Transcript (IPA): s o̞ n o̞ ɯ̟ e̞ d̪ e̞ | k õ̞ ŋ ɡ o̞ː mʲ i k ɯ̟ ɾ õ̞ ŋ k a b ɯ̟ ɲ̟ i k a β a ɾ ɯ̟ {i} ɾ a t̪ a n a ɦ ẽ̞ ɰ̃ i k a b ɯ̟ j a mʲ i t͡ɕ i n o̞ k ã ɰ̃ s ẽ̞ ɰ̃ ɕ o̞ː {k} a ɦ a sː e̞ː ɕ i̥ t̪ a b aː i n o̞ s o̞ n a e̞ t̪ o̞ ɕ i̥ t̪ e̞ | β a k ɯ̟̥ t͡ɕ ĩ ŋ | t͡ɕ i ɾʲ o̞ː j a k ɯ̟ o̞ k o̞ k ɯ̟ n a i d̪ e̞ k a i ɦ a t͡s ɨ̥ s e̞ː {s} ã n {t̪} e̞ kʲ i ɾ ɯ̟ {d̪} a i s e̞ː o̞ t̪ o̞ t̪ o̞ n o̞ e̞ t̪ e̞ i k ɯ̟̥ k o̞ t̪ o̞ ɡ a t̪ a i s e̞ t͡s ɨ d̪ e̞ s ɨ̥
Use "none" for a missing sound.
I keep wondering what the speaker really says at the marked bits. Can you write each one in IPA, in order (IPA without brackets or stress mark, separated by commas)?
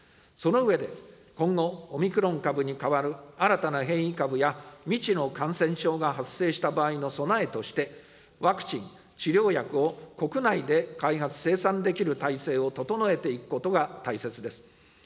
a, ɡ, s, d̪, t̪